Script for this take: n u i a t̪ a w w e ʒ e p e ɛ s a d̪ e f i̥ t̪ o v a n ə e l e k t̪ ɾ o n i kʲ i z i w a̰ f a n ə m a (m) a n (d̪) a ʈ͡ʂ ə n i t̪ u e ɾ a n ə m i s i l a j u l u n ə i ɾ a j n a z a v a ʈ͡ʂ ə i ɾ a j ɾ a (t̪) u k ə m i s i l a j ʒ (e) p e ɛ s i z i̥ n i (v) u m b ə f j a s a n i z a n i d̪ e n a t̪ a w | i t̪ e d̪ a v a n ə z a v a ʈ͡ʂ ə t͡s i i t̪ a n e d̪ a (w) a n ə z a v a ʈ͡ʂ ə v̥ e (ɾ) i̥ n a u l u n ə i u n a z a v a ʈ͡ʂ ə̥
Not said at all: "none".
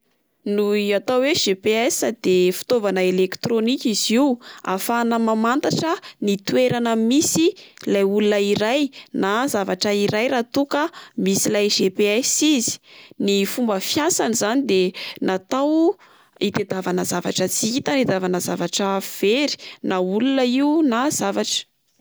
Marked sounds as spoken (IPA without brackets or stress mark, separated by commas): m, t̪, t̪, e, f, v, ɾ